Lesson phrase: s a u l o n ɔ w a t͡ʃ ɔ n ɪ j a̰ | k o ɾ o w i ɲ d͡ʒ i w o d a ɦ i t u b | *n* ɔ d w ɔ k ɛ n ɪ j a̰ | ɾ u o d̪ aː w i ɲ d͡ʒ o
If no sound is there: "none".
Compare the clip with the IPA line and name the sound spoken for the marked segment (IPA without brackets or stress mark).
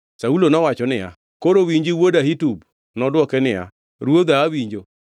n